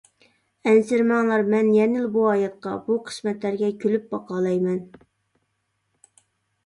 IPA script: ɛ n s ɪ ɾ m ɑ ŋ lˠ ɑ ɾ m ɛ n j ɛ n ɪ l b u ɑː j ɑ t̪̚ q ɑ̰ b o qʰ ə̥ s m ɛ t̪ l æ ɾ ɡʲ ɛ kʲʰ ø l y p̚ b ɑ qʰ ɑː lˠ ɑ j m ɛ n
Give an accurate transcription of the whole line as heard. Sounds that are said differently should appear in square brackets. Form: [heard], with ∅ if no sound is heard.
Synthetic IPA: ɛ n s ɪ ɾ m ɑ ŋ lˠ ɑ ɾ m ɛ n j ɛ n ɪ l b u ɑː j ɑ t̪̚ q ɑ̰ b [u] qʰ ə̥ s m ɛ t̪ l æ ɾ ɡʲ ɛ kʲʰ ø l y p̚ b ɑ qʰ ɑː lˠ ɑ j m ɛ n